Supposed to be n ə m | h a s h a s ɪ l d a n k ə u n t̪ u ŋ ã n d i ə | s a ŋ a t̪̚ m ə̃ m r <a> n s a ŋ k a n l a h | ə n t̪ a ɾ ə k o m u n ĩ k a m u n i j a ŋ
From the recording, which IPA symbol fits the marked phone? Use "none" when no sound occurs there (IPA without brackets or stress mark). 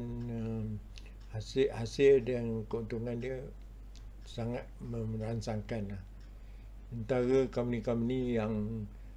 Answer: a